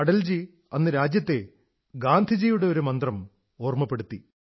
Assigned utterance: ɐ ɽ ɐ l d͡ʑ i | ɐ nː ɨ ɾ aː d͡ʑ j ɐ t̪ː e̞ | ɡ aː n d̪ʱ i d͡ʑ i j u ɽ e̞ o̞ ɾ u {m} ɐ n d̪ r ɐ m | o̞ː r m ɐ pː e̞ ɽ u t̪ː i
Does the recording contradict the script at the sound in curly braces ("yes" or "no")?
no